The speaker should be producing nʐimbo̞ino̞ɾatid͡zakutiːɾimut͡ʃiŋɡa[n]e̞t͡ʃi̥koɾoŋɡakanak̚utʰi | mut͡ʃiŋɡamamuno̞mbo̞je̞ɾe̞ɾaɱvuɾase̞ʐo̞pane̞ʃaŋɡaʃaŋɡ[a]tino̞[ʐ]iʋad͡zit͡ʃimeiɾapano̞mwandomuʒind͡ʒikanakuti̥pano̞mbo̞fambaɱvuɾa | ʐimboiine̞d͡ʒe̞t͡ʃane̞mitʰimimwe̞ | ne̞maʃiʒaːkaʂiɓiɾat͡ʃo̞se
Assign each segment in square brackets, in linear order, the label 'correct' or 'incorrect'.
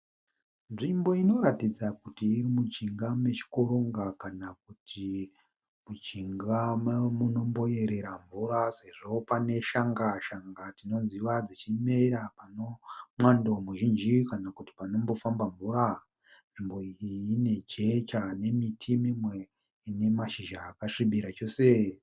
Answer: incorrect, correct, incorrect

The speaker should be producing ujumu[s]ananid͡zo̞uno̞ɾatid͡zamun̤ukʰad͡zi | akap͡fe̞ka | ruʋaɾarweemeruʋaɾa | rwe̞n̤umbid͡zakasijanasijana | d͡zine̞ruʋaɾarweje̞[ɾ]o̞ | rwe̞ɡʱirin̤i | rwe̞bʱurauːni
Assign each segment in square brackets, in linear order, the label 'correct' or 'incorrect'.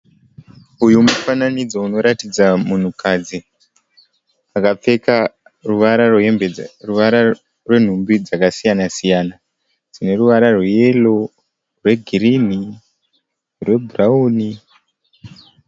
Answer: incorrect, incorrect

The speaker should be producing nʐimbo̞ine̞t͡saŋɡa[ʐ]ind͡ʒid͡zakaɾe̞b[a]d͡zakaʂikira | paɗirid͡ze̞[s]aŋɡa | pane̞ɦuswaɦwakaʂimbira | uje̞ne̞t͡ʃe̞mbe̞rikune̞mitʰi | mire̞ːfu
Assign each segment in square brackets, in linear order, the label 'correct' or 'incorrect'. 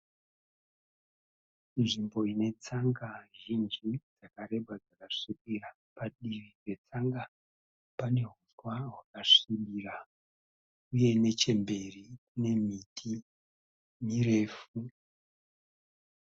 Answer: incorrect, correct, incorrect

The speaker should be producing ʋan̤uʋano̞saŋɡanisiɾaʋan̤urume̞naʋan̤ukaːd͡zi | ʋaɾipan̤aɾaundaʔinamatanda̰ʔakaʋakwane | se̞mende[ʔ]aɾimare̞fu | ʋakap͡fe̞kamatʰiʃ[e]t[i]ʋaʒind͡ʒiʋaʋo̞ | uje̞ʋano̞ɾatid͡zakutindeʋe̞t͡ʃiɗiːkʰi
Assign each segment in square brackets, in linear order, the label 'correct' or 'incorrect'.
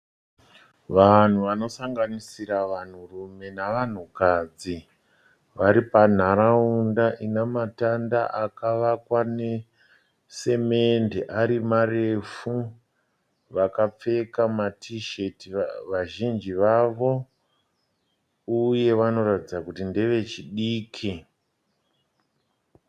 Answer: correct, correct, correct

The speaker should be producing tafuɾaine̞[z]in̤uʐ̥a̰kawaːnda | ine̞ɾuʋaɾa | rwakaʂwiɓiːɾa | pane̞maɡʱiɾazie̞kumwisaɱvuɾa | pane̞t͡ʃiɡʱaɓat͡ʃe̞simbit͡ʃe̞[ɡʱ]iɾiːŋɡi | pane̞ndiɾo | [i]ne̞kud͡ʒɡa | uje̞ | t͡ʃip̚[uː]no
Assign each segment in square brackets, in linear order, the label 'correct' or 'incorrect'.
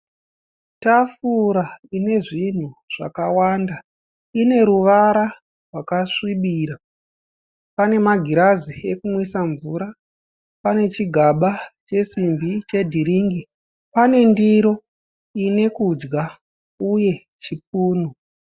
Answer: incorrect, incorrect, correct, correct

